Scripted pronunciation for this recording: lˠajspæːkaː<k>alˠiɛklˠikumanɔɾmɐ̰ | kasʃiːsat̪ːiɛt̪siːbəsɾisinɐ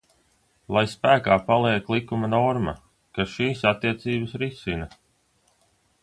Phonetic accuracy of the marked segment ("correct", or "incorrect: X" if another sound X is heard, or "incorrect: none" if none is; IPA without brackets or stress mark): incorrect: p